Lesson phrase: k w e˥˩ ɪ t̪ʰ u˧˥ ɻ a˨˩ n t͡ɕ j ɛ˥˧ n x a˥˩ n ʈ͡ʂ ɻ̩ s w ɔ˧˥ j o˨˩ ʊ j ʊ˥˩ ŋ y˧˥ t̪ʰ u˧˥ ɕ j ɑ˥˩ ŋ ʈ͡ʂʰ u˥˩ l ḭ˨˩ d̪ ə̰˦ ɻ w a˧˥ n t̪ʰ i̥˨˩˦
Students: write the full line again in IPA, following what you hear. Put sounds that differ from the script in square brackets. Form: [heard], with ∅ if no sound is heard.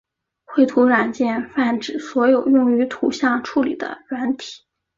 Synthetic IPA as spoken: [x] w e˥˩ ɪ t̪ʰ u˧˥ ɻ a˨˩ n t͡ɕ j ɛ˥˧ n [f] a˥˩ n ʈ͡ʂ ɻ̩ s w ɔ˧˥ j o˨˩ ʊ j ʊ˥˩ ŋ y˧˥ t̪ʰ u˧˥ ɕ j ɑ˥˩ ŋ ʈ͡ʂʰ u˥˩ l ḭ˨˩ d̪ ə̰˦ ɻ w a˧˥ n t̪ʰ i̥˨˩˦